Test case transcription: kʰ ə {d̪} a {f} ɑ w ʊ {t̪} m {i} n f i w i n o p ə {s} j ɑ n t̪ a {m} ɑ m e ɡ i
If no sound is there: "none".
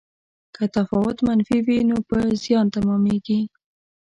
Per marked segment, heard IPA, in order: t̪, f, t̪, a, z, m

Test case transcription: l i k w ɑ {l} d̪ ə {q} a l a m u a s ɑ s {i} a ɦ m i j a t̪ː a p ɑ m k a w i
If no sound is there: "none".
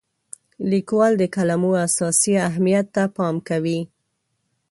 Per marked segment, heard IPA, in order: l, k, i

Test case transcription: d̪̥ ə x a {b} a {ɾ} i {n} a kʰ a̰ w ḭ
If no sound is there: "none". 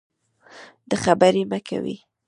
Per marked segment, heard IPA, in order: b, ɾ, m

